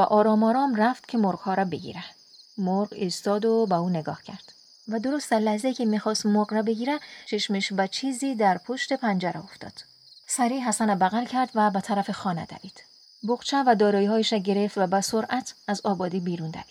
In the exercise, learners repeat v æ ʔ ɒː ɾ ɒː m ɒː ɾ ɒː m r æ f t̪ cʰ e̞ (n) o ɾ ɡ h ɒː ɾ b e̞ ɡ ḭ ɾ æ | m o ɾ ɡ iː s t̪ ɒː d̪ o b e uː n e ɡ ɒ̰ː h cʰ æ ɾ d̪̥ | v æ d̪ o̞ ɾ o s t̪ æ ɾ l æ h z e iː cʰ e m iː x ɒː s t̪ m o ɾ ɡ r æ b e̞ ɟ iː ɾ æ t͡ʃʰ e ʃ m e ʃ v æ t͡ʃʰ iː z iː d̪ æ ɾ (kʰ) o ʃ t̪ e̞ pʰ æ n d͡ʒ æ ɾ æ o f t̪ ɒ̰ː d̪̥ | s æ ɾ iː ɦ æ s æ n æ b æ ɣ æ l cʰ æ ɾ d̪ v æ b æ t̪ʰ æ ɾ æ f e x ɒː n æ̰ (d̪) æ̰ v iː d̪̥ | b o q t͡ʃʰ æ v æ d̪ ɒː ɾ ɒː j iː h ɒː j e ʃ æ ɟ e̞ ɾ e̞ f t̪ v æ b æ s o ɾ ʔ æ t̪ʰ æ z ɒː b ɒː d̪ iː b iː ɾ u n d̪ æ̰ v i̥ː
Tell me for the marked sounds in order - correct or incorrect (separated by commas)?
incorrect, incorrect, correct